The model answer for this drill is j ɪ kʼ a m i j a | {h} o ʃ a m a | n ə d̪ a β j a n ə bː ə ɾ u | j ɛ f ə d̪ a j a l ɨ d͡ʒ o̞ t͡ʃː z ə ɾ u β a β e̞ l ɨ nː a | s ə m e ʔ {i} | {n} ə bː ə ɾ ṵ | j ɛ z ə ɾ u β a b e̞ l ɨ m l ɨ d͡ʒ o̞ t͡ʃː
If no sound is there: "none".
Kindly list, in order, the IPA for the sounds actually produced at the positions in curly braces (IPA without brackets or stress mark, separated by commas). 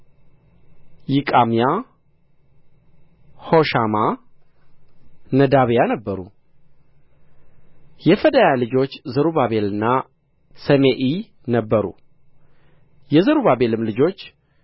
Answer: h, i, n